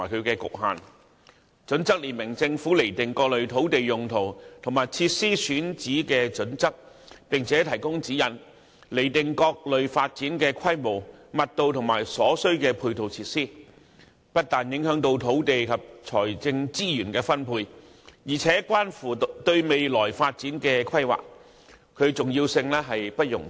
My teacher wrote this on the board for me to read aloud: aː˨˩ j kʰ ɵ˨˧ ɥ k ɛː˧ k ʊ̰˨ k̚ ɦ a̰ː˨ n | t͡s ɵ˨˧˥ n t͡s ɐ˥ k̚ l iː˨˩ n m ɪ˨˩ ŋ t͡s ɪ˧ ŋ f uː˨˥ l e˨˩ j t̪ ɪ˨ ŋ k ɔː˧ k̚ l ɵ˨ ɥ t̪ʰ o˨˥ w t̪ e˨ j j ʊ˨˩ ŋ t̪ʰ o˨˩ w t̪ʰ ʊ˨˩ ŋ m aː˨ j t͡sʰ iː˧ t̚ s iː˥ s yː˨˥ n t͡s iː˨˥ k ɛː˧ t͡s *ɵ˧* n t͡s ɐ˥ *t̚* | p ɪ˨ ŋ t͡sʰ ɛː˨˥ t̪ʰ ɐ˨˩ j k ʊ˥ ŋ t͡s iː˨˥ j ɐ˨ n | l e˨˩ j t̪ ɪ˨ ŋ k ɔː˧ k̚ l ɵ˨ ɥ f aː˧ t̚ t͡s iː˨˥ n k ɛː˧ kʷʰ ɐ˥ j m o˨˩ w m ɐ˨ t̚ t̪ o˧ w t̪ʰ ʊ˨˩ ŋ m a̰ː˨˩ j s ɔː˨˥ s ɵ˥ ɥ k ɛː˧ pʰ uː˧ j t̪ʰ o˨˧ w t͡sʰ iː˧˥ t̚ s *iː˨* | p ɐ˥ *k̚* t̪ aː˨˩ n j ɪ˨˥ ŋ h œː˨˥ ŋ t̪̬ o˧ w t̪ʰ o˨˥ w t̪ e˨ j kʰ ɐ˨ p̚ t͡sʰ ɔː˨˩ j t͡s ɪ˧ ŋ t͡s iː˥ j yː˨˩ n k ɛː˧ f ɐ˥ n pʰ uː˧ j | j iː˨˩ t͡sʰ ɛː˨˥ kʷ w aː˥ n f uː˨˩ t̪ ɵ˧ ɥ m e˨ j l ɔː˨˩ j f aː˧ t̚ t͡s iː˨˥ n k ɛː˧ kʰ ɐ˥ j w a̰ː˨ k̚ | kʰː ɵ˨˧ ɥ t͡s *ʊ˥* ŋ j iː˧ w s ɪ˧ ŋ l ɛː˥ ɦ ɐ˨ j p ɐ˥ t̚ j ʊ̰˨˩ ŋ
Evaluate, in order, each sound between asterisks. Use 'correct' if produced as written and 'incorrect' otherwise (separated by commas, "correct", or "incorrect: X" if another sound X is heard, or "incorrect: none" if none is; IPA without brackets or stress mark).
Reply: incorrect: ɵ˨˥, incorrect: k̚, incorrect: iː˥, incorrect: t̚, incorrect: ʊ˨